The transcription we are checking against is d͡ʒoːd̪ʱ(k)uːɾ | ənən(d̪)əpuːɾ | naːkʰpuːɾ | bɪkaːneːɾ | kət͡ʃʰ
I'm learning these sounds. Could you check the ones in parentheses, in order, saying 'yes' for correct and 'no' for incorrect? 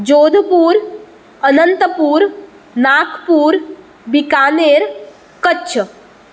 no, no

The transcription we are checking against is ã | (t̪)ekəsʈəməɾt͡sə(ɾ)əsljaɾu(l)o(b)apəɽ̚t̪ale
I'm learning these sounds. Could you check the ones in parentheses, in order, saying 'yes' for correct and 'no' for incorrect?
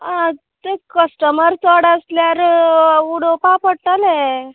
yes, no, no, no

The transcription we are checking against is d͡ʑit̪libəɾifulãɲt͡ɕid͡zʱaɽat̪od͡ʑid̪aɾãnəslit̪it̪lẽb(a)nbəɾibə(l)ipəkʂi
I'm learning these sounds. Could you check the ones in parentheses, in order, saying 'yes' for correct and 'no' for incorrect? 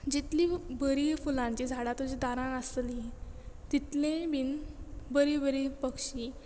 no, no

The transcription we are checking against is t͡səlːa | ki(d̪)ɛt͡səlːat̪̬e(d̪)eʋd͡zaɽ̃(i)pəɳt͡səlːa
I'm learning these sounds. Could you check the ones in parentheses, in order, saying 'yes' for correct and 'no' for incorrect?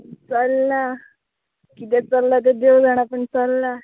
no, yes, no

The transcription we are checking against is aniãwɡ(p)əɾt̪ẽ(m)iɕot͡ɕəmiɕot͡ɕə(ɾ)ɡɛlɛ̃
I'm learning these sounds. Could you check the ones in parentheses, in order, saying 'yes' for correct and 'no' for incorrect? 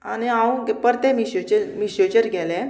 yes, yes, yes

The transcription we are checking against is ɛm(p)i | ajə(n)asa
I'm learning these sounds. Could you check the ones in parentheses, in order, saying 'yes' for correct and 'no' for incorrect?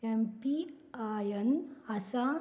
yes, yes

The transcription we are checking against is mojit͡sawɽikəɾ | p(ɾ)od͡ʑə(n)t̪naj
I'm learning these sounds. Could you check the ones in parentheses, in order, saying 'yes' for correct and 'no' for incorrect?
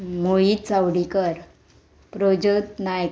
yes, no

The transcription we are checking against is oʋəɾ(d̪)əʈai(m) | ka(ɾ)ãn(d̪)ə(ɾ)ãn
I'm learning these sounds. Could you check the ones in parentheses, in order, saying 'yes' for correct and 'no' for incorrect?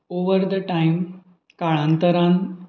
yes, yes, no, no, yes

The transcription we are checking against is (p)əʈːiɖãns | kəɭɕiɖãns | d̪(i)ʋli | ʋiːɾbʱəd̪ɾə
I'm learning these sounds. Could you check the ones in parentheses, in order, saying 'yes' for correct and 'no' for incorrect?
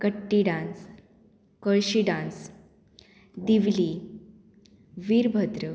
no, yes

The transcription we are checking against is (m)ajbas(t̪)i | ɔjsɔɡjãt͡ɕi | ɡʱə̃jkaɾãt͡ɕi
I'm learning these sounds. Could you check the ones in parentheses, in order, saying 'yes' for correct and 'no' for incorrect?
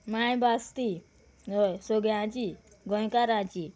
yes, yes

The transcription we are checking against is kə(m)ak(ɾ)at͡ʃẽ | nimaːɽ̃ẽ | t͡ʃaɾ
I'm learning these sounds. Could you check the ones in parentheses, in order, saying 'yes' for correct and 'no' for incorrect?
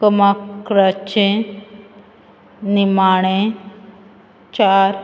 yes, yes

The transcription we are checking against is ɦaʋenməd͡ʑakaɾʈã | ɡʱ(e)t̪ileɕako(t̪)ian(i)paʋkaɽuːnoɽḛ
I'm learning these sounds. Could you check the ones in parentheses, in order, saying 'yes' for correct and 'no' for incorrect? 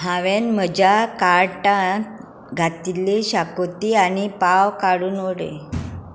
no, yes, yes

